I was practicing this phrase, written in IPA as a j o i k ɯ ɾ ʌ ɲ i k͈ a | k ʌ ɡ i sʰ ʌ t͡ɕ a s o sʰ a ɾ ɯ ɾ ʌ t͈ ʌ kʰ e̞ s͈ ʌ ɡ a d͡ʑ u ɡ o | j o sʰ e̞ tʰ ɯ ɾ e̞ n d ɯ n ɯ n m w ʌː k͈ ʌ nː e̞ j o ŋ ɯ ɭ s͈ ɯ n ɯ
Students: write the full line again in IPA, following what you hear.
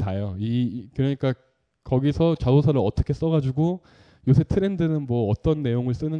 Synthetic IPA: a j o i k ɯ ɾ ʌ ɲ i k͈ a | k ʌ ɡ i sʰ ʌ t͡ɕ a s o sʰ a ɾ ɯ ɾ ʌ t͈ ʌ kʰ e̞ s͈ ʌ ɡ a d͡ʑ u ɡ o | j o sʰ e̞ tʰ ɯ ɾ e̞ n d ɯ n ɯ n m w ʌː t͈ ʌ nː e̞ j o ŋ ɯ ɭ s͈ ɯ n ɯ